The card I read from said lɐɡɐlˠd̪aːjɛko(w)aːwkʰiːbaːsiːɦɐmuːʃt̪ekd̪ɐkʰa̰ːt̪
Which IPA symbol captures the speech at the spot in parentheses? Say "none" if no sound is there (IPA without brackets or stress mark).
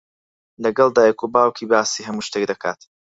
b